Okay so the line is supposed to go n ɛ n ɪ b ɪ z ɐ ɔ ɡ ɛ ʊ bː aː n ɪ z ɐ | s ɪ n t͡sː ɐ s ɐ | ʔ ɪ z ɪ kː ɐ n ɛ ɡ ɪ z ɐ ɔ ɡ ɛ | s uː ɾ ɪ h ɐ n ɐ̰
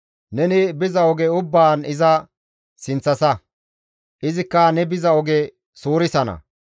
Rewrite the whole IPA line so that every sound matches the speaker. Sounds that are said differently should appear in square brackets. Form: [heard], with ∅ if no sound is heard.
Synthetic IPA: n ɛ n ɪ b ɪ z ɐ ɔ ɡ ɛ ʊ bː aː n ɪ z ɐ | s ɪ n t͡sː ɐ s ɐ | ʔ ɪ z ɪ kː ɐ n ɛ [b] ɪ z ɐ ɔ ɡ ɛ | s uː ɾ ɪ [s] ɐ n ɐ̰